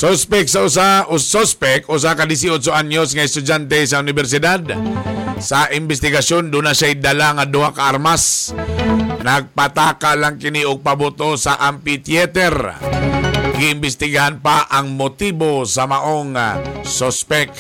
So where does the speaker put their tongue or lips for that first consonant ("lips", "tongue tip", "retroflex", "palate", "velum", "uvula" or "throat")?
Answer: tongue tip